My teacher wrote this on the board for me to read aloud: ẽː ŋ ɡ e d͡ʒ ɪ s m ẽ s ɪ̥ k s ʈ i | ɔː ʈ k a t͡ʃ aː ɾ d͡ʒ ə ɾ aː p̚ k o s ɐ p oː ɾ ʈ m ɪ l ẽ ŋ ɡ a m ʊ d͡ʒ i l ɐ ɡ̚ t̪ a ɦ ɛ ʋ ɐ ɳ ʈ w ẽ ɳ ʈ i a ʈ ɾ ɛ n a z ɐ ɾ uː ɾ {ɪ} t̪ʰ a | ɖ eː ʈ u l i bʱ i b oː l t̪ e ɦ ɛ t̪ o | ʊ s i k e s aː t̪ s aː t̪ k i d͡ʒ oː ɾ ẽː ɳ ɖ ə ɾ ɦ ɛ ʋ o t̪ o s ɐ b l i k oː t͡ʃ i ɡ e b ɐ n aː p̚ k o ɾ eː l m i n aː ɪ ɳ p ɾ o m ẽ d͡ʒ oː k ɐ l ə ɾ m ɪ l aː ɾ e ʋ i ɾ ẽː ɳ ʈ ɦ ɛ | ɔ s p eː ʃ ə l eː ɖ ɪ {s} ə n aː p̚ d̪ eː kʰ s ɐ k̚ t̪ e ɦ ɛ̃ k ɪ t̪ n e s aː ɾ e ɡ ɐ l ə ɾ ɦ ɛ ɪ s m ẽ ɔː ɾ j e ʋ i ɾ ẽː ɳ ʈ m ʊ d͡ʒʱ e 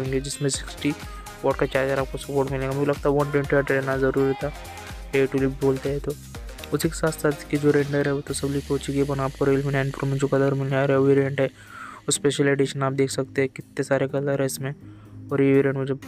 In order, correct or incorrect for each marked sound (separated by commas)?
incorrect, incorrect